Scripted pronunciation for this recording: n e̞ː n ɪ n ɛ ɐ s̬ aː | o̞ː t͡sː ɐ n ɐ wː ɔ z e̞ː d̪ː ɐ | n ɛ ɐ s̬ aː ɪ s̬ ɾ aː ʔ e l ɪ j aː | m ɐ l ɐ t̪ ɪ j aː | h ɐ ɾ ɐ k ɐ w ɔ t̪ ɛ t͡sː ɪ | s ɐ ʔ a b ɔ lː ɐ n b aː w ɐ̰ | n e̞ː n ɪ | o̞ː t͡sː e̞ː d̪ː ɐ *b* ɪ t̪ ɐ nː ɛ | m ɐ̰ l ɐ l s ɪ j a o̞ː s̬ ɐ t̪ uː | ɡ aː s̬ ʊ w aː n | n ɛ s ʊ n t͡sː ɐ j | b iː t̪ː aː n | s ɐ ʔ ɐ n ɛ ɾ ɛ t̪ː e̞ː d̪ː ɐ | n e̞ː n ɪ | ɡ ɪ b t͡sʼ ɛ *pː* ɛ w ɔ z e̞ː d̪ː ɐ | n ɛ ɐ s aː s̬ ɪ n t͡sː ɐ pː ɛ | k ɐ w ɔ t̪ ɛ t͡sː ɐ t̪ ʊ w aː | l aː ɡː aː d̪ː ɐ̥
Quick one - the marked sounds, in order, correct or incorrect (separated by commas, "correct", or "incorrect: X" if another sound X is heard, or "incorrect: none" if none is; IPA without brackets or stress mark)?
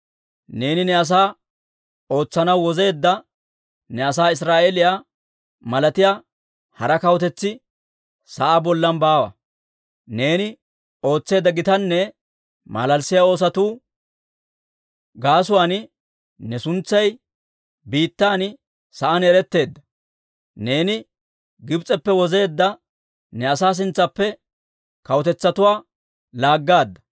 incorrect: ɡ, correct